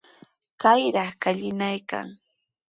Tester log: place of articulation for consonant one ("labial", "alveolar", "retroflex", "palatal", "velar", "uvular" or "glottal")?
velar